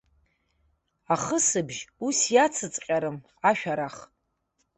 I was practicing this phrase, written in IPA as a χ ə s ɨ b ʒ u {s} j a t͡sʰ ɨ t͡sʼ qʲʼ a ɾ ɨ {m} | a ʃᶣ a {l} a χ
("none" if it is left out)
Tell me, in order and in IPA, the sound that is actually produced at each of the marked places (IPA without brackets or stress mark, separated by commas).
s, m, ɾ